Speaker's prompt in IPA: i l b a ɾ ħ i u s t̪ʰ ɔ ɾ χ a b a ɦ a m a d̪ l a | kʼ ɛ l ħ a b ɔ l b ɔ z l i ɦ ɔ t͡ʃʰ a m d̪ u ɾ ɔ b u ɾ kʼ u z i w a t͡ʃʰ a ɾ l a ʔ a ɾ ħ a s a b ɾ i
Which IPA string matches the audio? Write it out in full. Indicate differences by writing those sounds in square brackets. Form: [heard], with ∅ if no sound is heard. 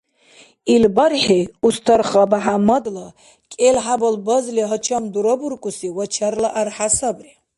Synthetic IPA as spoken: i l b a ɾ ħ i u s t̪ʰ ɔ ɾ χ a b a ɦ a m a d̪ l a | kʼ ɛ l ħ a b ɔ l b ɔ z l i ɦ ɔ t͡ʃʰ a m d̪ u ɾ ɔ b u ɾ kʼ u [s] i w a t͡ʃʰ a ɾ l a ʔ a ɾ ħ a s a b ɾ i